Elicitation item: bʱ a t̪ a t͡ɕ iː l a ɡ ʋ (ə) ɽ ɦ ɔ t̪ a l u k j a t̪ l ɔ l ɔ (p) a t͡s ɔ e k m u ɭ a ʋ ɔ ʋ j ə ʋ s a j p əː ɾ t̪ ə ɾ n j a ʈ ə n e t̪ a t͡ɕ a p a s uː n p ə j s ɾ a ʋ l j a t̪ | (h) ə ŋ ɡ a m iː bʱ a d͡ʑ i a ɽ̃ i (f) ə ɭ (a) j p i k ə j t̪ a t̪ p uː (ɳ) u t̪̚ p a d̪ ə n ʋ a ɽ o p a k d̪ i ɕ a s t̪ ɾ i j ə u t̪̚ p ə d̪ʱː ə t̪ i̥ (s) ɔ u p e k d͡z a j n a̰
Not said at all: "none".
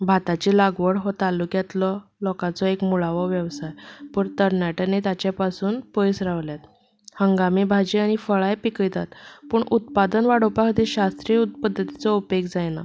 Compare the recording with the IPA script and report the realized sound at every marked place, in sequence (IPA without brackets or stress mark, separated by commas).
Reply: ə, k, h, f, a, ɳ, t͡s